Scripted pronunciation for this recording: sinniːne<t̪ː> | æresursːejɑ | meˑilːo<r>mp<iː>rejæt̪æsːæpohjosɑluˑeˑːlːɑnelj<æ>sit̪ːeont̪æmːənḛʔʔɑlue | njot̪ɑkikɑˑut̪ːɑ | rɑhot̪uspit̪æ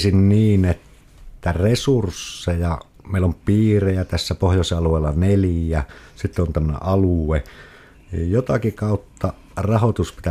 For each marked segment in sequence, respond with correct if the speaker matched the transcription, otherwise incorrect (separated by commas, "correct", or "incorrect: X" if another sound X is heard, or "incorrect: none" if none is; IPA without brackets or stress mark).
correct, incorrect: none, correct, correct